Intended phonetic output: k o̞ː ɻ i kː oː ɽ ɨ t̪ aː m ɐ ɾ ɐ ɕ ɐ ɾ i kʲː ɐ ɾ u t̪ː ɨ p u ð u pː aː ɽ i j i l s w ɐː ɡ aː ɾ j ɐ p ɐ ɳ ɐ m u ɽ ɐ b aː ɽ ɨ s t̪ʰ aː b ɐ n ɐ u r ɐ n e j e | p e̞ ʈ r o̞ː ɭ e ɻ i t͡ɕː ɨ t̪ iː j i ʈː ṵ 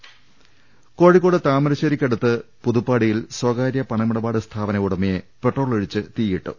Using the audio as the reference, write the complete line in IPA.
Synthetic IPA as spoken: k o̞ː ɻ i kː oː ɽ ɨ t̪ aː m ɐ ɾ ɐ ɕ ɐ ɾ i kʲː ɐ ɽ u t̪ː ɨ p u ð u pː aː ɽ i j i l s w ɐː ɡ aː ɾ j ɐ p ɐ ɳ ɐ m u ɽ ɐ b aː ɽ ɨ s t̪ʰ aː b ɐ n ɐ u ɽ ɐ m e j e | p e̞ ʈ r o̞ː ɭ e ɻ i t͡ɕː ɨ t̪ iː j i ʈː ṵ